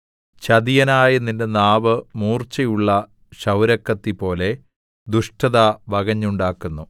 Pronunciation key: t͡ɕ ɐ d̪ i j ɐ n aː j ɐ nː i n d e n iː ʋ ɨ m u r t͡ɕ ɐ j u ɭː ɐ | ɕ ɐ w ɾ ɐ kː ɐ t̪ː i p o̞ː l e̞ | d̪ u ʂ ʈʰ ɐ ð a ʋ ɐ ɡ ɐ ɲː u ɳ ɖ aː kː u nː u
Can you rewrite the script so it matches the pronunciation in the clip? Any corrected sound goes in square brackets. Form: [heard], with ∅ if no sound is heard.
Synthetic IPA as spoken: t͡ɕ ɐ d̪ i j ɐ n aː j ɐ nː i n d e n [aː] ʋ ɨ m [uː] r t͡ɕ ɐ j u ɭː ɐ | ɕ ɐ w ɾ ɐ kː ɐ t̪ː i p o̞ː l e̞ | d̪ u ʂ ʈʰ ɐ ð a ʋ ɐ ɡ ɐ ɲː u ɳ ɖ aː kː u nː u